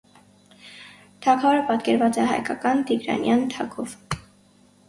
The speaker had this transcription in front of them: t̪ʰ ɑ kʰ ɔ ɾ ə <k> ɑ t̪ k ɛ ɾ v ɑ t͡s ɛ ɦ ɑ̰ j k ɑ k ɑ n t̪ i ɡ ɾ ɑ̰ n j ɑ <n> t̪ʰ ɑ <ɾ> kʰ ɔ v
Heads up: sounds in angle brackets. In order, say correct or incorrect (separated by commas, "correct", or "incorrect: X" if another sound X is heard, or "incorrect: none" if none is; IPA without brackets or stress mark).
incorrect: p, correct, incorrect: none